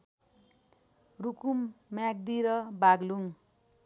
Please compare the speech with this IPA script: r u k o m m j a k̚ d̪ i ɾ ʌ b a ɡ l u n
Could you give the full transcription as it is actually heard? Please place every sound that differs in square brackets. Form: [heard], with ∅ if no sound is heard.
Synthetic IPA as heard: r u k [u] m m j a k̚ d̪ i ɾ ʌ b a ɡ l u [ŋ]

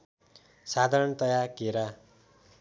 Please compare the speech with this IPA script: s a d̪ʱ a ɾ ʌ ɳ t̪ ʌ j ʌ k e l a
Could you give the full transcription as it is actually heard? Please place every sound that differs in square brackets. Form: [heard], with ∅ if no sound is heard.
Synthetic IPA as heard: s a d̪ʱ a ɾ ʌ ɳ t̪ ʌ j [a] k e [ɾ] a

